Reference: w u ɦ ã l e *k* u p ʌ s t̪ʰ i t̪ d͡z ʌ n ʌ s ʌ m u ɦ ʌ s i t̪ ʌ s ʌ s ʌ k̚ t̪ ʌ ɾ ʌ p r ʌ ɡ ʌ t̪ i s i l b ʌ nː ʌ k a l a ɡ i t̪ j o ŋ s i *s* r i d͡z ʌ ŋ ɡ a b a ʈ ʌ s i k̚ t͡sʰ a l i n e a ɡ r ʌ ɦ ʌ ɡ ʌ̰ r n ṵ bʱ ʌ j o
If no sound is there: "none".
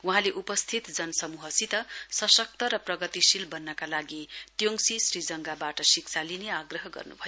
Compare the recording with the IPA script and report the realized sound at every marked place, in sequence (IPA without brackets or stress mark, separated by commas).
ʔ, s